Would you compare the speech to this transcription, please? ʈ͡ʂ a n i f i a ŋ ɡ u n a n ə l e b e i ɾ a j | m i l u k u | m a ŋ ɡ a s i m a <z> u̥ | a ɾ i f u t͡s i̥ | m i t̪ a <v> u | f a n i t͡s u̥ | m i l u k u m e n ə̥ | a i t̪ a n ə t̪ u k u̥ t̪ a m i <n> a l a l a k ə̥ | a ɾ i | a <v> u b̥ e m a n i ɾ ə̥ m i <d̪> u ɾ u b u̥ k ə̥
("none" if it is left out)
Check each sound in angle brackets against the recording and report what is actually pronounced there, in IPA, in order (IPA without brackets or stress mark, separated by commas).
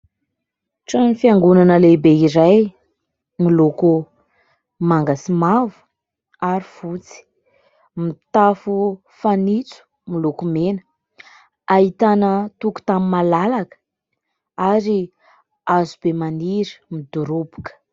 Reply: v, f, m, z, d̪